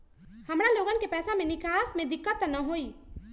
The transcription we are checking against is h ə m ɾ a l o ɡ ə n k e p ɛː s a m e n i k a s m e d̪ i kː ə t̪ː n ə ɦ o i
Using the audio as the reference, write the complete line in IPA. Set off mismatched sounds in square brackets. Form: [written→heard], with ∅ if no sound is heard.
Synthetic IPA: h ə m ɾ a l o ɡ ə n k e p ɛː s a m e n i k a s m e d̪ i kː ə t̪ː n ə ɦ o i